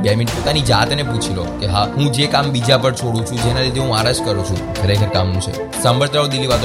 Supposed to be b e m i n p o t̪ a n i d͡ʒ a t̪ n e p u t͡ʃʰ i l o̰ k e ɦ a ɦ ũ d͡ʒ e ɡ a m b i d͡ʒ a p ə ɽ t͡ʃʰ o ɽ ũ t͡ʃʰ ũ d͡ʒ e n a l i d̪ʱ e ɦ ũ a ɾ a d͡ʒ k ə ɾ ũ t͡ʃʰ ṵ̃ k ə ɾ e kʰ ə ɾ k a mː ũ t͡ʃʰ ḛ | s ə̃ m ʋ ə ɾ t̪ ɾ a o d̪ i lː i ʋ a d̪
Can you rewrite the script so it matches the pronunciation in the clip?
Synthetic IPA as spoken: b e m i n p o t̪ a n i d͡ʒ a t̪ n e p u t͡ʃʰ i l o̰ k e ɦ a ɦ ũ d͡ʒ e k a m b i d͡ʒ a p ə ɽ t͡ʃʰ o ɽ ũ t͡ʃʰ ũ d͡ʒ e n a l i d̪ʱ e ɦ ũ a ɾ a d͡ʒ k ə ɾ ũ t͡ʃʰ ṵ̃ kʰ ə ɾ e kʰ ə ɾ k a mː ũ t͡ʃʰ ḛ | s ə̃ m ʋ ə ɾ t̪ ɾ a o d̪ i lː i ʋ a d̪